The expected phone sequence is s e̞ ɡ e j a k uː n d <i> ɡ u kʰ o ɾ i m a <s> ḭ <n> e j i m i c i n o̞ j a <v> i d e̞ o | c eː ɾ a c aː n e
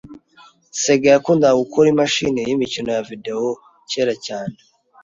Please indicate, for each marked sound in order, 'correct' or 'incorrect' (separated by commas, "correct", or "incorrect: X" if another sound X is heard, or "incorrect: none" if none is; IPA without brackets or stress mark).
incorrect: a, incorrect: ʃ, correct, correct